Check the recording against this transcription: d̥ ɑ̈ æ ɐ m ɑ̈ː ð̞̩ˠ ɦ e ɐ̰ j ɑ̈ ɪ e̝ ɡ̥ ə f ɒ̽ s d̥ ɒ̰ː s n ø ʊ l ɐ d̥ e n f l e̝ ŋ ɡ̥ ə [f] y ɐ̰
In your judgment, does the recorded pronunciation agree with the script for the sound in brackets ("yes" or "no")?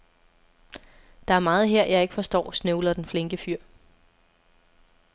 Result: yes